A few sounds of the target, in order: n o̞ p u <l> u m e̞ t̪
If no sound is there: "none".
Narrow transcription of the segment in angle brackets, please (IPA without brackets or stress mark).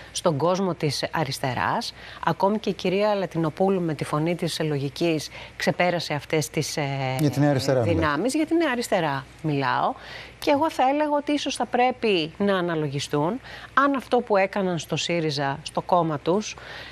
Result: l